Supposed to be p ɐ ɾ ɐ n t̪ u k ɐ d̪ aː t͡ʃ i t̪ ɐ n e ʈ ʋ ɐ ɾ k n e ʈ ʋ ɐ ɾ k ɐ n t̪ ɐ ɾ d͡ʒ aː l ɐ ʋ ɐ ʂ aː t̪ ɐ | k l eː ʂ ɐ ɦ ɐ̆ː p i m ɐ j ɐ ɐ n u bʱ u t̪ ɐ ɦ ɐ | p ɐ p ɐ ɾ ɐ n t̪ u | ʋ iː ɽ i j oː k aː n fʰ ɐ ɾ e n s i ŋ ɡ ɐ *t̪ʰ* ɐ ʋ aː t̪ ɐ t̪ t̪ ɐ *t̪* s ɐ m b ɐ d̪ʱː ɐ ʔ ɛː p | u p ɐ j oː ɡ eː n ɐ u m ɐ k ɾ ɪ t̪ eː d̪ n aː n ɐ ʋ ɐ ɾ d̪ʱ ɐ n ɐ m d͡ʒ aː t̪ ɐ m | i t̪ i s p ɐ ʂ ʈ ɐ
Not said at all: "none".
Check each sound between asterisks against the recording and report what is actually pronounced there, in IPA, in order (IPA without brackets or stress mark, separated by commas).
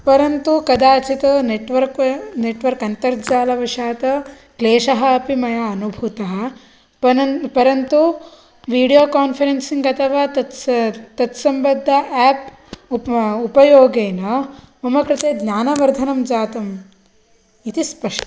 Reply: t̪ʰ, t̪